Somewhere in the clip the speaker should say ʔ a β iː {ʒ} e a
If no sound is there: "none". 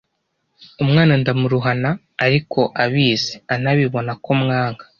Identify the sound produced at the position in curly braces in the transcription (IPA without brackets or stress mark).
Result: z